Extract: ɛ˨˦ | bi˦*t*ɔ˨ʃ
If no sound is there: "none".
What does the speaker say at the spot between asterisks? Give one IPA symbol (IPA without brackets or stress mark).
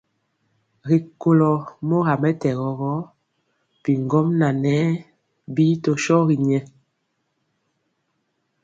t